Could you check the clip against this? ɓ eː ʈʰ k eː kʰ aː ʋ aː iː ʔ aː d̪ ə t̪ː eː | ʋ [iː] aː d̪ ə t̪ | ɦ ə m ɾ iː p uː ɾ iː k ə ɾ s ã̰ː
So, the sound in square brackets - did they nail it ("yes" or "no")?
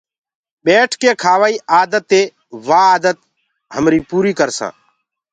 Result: no